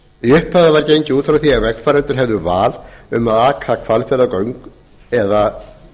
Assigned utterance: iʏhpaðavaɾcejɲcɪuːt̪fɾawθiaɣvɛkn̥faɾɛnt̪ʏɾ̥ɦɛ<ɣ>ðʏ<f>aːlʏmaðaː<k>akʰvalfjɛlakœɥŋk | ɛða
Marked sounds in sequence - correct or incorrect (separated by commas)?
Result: incorrect, incorrect, incorrect